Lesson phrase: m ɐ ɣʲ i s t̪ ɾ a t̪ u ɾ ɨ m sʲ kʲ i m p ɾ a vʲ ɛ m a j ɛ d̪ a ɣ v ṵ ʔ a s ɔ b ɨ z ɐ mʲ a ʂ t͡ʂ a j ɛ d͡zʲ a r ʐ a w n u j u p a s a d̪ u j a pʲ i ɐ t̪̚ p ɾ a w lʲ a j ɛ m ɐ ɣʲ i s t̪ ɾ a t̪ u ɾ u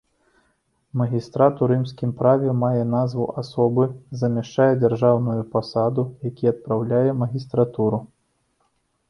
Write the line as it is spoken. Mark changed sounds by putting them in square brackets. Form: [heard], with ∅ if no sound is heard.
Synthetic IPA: m ɐ ɣʲ i s t̪ ɾ a t̪ u ɾ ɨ m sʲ kʲ i m p ɾ a vʲ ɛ m a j ɛ [n̪] a [z] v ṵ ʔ a s ɔ b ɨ z ɐ mʲ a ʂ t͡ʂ a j ɛ d͡zʲ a r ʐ a w n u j u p a s a d̪ u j a [kʲ] i ɐ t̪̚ p ɾ a w lʲ a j ɛ m ɐ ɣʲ i s t̪ ɾ a t̪ u ɾ u